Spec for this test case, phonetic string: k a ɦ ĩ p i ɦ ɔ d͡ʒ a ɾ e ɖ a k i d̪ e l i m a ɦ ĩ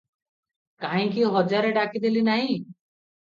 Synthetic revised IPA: k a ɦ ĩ k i ɦ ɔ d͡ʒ a ɾ e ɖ a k i d̪ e l i n a ɦ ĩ